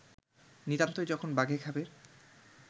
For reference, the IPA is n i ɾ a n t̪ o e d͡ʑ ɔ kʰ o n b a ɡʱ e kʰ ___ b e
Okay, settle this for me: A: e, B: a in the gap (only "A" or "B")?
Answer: B